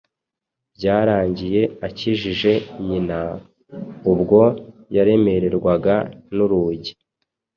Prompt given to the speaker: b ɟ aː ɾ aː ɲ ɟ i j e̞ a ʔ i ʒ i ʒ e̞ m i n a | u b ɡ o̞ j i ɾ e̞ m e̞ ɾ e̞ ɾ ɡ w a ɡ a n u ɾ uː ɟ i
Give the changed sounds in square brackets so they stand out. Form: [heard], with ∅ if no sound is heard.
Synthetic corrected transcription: b ɟ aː ɾ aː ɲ ɟ i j e̞ a [c] i ʒ i ʒ e̞ [ɲ] i n a | u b ɡ o̞ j [a] ɾ e̞ m e̞ ɾ e̞ ɾ ɡ w a ɡ a n u ɾ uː ɟ i